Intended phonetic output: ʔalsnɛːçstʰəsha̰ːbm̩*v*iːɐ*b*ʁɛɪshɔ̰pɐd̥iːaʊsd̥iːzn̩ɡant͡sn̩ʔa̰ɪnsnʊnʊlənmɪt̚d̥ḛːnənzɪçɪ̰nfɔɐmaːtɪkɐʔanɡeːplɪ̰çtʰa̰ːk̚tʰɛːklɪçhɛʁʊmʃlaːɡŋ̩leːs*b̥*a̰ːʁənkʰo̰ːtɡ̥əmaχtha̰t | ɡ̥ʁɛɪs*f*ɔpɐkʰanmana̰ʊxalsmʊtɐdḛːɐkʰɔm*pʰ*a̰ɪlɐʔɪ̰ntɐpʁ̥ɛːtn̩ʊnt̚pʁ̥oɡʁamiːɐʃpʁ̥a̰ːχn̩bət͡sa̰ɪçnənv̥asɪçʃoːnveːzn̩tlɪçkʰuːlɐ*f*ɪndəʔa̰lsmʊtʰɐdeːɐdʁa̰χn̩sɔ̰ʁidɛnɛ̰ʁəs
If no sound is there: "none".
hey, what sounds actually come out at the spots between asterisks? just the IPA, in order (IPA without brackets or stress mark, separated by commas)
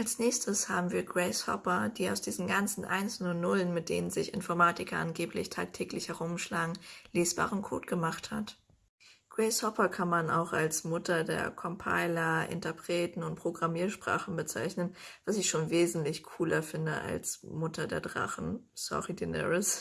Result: v, ɡ, b̥, h, pʰ, f